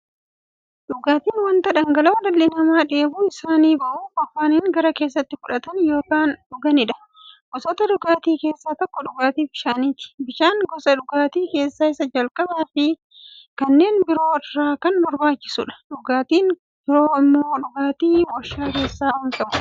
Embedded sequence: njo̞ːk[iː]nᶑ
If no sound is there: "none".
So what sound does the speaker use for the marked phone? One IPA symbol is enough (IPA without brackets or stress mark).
aː